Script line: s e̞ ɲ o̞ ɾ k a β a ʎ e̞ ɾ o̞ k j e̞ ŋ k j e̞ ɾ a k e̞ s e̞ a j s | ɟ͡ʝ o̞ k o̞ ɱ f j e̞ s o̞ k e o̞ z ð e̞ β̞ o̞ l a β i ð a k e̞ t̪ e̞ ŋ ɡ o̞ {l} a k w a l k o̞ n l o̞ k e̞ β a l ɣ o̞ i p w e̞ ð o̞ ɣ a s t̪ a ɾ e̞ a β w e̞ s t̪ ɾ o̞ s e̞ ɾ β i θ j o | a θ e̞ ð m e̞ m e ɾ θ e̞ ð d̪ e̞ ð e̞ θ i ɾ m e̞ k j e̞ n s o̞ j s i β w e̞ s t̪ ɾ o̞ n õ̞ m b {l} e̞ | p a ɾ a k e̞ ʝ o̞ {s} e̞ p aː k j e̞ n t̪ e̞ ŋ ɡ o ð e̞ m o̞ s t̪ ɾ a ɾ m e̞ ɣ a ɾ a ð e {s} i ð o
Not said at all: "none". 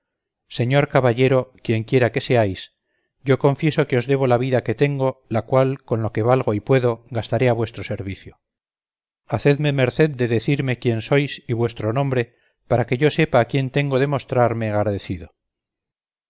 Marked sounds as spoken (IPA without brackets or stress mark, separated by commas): l, ɾ, s, θ